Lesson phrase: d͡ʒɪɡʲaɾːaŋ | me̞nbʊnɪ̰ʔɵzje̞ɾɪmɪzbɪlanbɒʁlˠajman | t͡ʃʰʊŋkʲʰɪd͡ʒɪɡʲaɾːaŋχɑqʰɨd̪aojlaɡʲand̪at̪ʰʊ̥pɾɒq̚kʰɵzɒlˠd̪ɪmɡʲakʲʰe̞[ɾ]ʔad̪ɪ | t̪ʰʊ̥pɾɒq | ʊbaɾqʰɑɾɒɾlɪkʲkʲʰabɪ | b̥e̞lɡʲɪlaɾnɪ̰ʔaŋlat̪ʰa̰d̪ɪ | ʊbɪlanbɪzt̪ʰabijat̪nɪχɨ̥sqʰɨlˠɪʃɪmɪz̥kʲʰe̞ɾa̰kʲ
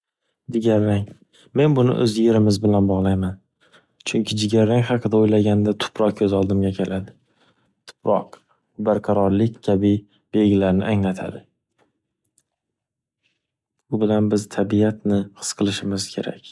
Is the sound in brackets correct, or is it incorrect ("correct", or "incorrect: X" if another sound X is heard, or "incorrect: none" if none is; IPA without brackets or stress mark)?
incorrect: l